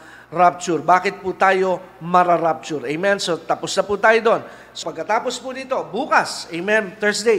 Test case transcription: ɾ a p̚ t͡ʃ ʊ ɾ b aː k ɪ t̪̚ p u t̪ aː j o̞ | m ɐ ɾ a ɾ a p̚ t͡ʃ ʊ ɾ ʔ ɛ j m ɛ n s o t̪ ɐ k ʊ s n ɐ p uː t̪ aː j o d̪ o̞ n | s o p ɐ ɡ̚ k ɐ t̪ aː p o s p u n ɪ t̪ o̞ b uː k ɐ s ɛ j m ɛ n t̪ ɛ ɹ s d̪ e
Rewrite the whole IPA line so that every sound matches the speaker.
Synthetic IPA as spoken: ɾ a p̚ t͡ʃ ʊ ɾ b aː k ɪ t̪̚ p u t̪ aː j o̞ | m ɐ ɾ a ɾ a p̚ t͡ʃ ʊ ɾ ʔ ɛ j m ɛ n s o t̪ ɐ p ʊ s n ɐ p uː t̪ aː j o d̪ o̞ n | s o p ɐ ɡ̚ k ɐ t̪ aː p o s p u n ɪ t̪ o̞ b uː k ɐ s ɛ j m ɛ n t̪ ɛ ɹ s d̪ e